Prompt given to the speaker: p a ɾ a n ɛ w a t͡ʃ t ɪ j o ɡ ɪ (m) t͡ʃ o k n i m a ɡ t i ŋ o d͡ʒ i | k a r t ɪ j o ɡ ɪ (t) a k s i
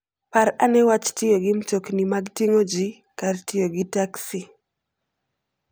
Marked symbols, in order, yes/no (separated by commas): yes, yes